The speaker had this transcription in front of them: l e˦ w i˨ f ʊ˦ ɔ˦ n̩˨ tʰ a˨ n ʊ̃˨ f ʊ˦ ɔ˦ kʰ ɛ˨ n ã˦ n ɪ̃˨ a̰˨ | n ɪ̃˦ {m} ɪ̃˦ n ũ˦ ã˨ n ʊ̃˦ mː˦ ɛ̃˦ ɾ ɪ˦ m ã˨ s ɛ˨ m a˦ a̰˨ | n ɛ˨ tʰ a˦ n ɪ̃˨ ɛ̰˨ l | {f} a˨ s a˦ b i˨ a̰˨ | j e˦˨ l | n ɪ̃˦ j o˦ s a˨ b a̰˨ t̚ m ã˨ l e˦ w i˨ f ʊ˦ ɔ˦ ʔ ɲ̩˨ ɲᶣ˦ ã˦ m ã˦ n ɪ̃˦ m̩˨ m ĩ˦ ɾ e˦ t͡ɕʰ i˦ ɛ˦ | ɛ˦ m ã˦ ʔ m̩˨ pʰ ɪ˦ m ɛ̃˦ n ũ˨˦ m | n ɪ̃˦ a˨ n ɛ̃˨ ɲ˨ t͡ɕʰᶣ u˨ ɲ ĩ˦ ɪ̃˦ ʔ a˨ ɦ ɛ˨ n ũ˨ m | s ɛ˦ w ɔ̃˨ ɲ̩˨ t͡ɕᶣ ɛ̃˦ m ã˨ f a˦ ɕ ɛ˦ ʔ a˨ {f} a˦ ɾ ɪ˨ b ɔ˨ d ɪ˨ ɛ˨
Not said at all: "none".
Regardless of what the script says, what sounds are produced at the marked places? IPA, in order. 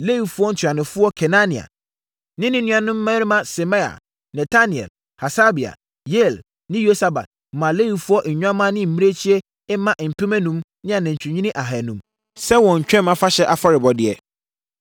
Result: n, h, f

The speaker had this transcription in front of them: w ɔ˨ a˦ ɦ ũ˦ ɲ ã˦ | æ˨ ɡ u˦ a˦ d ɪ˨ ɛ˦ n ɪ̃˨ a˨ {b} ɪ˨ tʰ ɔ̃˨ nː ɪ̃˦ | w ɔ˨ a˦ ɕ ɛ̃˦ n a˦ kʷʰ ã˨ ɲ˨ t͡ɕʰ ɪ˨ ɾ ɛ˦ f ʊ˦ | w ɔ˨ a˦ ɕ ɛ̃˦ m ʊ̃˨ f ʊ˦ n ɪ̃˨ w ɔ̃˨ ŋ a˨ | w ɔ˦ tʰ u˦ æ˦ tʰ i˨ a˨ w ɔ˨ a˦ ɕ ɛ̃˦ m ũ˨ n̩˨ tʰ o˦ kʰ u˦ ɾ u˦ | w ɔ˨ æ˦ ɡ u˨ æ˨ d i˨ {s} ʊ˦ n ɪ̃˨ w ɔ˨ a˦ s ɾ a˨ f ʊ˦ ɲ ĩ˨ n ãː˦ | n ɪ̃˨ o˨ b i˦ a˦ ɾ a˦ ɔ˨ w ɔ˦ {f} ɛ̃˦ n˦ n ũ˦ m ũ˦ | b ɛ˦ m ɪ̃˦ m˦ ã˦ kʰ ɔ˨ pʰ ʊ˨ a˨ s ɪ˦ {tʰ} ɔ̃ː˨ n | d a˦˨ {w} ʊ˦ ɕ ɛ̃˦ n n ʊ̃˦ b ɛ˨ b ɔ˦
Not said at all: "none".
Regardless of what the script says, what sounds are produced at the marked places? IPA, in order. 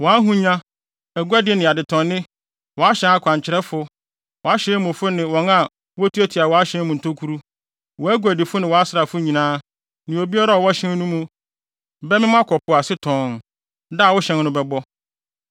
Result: d, f, ɕ, tʰ, w

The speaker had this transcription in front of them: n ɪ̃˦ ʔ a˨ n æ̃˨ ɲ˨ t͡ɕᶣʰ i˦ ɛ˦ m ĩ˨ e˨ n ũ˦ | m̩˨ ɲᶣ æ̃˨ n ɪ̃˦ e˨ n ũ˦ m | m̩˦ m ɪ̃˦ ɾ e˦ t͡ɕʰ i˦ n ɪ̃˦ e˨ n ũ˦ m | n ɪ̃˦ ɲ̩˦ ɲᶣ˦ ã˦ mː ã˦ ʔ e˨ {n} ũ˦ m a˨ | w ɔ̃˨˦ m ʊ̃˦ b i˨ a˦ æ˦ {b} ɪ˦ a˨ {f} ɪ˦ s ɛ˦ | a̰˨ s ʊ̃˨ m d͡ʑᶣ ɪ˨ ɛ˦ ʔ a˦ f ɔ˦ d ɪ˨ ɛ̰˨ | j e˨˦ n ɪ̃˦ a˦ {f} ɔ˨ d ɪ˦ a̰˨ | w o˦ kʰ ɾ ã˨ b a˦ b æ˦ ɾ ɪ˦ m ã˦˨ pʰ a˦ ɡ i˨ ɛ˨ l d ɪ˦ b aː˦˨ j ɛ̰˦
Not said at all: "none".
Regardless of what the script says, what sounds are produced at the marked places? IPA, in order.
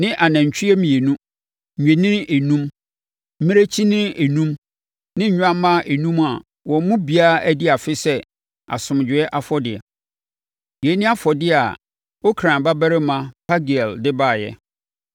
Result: n, d, f, f

